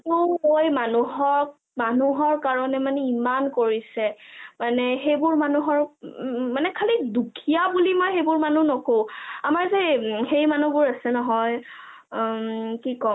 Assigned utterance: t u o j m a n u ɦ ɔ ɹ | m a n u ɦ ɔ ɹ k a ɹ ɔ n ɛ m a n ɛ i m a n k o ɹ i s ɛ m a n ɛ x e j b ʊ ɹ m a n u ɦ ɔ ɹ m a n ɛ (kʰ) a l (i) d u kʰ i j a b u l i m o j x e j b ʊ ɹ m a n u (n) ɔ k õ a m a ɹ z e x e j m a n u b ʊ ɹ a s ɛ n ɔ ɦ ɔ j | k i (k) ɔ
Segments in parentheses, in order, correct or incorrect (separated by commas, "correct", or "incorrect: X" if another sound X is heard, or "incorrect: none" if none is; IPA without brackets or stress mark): correct, correct, correct, correct